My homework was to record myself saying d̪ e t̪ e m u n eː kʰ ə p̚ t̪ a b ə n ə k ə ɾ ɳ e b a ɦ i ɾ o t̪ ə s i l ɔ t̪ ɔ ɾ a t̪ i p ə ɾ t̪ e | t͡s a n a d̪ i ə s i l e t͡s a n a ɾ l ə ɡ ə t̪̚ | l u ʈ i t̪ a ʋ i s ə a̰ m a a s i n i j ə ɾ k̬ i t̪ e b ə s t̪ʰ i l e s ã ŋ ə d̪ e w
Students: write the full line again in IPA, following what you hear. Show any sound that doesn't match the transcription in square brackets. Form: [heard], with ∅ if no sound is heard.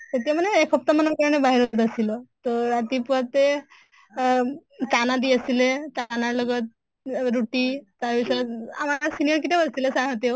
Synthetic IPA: [t̪] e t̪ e m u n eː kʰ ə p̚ t̪ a [m] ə n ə k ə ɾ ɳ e b a ɦ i ɾ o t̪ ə s i l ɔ t̪ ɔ ɾ a t̪ i p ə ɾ t̪ e | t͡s a n a d̪ i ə s i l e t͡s a n a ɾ l ə ɡ ə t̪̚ | [ɾ] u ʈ i t̪ a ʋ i s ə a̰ m a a s i n i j ə ɾ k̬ i t̪ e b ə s [t̪] i l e s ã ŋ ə [t̪] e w